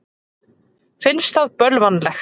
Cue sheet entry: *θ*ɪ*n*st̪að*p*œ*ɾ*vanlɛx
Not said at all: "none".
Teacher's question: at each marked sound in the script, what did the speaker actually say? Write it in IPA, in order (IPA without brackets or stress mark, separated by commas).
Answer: f, n, p, l